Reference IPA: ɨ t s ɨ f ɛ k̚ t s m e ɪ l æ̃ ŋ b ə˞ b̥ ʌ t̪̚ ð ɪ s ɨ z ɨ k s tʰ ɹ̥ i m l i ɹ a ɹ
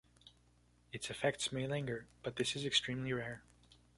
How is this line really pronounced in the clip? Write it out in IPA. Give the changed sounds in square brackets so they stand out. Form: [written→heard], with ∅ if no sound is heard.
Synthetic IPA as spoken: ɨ t s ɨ f ɛ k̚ t s m e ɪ l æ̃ ŋ [b→ɡ] ə˞ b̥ ʌ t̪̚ ð ɪ s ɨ z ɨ k s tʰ ɹ̥ [i→ĩ] m l i ɹ [a→ɛ] ɹ